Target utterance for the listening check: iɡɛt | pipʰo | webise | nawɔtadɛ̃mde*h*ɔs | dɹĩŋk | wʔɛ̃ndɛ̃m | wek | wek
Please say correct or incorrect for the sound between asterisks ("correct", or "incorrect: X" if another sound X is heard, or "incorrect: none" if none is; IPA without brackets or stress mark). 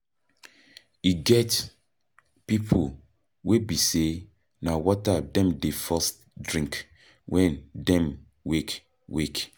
incorrect: f